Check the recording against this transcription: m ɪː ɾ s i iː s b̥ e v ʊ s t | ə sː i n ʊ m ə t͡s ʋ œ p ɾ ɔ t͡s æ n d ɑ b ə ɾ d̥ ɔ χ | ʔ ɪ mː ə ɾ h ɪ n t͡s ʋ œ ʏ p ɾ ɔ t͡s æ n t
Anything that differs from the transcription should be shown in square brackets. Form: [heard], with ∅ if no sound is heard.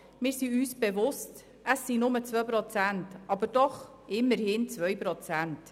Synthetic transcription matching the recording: m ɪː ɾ s i [yː] s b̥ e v ʊ s t | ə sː i n ʊ m ə t͡s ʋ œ p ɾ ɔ t͡s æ n [t] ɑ b ə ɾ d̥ ɔ χ | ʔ ɪ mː ə ɾ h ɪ n t͡s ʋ œ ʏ p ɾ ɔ t͡s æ n t